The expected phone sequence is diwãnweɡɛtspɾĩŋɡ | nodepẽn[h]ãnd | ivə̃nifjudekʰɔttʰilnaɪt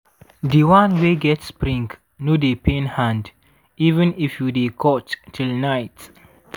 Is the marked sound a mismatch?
no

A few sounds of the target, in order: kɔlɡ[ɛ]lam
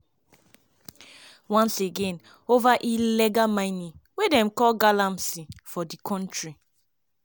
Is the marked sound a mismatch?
yes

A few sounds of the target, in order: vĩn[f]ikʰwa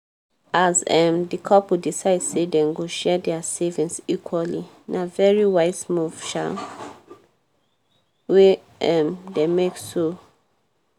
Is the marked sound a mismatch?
yes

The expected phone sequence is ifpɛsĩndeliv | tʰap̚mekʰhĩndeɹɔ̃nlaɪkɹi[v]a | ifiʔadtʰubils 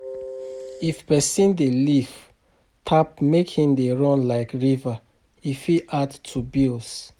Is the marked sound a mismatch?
no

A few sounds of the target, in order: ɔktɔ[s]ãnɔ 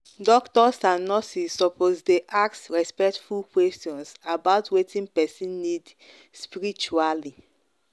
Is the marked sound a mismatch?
no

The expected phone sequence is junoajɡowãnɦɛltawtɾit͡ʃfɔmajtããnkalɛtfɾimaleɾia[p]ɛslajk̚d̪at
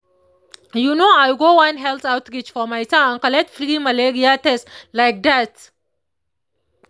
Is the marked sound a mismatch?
yes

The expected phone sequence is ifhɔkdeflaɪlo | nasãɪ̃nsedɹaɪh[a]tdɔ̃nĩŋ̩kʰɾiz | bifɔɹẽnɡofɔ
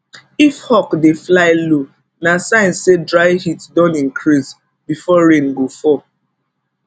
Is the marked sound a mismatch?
yes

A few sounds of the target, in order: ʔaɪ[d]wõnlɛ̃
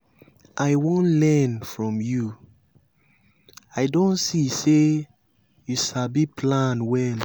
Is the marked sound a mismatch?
yes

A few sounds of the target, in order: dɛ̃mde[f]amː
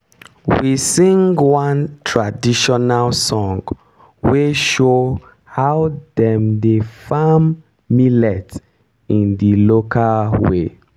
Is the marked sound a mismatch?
no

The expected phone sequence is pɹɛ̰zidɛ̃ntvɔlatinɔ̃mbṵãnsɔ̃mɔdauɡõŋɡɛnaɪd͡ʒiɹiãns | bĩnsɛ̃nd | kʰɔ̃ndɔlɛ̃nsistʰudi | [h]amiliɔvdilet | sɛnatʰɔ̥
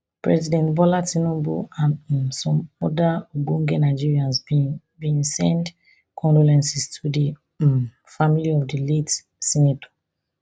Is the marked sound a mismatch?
yes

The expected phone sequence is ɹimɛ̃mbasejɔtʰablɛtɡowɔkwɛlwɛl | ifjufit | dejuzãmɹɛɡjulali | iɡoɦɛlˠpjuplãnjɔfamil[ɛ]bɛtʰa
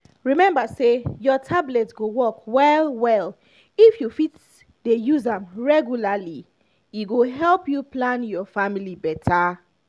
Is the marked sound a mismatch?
yes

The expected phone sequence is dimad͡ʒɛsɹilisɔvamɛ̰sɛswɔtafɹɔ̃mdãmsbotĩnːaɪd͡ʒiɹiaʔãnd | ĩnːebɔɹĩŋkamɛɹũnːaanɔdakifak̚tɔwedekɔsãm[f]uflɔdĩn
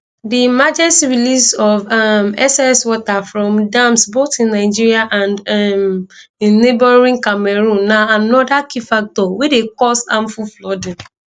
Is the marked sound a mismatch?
no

